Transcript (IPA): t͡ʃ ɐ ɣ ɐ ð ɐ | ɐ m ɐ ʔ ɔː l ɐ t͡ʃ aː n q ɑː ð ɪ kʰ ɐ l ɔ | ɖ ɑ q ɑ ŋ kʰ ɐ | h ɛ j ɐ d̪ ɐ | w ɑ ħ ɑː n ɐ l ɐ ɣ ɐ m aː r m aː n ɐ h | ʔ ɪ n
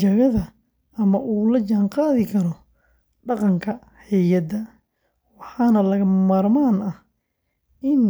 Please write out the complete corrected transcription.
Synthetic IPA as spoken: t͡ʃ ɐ ɣ ɐ ð ɐ | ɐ m ɐ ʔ uː l ɐ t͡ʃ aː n q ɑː ð ɪ kʰ ɐ ɾ ɔ | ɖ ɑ q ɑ ŋ kʰ ɐ | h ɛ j ɐ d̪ ɐ | w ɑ ħ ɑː n ɐ l ɐ ɣ ɐ m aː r m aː n ɐ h | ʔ ɪ n